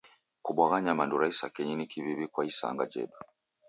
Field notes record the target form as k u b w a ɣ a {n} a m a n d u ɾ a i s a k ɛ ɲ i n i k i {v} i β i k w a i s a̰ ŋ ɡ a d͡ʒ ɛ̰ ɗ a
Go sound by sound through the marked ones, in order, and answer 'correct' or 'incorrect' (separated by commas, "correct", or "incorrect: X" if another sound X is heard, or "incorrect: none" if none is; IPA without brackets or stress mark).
incorrect: ɲ, incorrect: β